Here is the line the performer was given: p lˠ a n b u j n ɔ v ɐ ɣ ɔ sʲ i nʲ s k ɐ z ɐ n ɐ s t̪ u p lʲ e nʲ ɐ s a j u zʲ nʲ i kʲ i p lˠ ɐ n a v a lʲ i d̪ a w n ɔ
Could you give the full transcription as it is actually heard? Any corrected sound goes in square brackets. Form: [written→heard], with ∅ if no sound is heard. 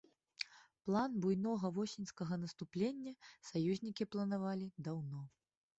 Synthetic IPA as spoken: p lˠ a n b u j n ɔ [v→ɣ] ɐ [ɣ→v] ɔ sʲ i nʲ s k ɐ [z→ɣ] ɐ n ɐ s t̪ u p lʲ e [nʲ→nʲː] ɐ s a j u zʲ nʲ i kʲ i p lˠ ɐ n a v a lʲ i d̪ a w n ɔ